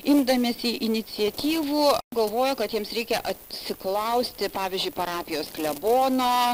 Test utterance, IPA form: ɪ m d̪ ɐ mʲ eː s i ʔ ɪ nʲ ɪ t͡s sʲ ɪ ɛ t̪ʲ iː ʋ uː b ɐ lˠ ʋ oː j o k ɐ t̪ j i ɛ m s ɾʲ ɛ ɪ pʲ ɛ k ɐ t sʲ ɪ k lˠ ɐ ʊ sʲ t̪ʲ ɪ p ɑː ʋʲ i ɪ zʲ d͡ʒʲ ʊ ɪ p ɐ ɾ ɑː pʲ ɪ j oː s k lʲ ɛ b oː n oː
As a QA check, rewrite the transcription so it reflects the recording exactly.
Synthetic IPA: ɪ m d̪ ɐ mʲ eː s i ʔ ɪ nʲ ɪ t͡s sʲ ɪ ɛ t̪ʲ iː ʋ uː ɡ ɐ lˠ ʋ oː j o k ɐ t̪ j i ɛ m s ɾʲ ɛ ɪ kʲ ɛ ʔ ɐ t sʲ ɪ k lˠ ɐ ʊ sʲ t̪ʲ ɪ p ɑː ʋʲ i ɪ zʲ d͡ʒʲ ʊ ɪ p ɐ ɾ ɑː pʲ ɪ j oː s k lʲ ɛ b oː n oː